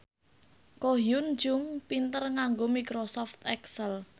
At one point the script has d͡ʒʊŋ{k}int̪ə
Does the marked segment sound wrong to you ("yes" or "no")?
yes